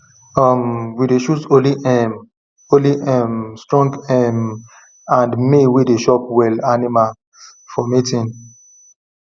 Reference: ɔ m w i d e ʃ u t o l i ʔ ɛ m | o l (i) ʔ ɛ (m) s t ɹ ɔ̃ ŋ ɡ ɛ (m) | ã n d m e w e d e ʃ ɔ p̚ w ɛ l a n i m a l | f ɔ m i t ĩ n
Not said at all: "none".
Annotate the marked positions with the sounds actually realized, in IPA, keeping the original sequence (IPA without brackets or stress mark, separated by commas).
i, m, m